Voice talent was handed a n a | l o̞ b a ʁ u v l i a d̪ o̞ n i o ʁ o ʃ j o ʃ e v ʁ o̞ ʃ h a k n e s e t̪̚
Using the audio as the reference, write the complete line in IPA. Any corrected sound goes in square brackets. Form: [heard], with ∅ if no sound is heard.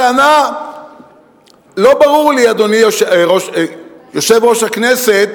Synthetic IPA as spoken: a n a | l o̞ b a ʁ u [ʁ] l i a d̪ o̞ n i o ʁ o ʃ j o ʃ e v ʁ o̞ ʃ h a k n e s e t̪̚